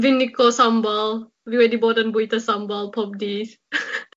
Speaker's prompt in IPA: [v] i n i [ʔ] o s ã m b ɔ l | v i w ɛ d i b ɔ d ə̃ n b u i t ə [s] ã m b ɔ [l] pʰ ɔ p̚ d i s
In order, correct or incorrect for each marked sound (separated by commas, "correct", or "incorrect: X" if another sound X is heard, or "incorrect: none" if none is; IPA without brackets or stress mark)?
correct, incorrect: k, correct, correct